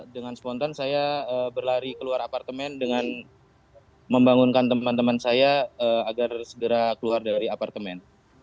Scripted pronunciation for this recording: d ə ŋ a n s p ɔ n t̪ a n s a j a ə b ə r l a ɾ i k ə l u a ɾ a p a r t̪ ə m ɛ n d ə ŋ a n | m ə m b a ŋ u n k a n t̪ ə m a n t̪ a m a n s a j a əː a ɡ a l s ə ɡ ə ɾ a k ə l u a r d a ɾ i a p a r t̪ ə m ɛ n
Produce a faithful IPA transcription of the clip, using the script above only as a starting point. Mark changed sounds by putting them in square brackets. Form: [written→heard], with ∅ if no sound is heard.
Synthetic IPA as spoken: d ə ŋ a n s p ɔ n t̪ a n s a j a ə b ə r l a ɾ i k ə l u a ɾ a p a r t̪ ə m ɛ n d ə ŋ a n | m ə m b a ŋ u n k a n t̪ ə m a n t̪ [a→ə] m a n s a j a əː a ɡ a [l→r] s ə ɡ ə ɾ a k ə l u a r d a ɾ i a p a r t̪ ə m ɛ n